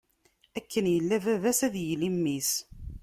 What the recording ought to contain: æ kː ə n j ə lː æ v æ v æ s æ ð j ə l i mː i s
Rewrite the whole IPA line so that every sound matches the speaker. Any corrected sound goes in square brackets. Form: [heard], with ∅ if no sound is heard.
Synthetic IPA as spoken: æ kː ə n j ə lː æ v æ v æ s æ ð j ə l i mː i s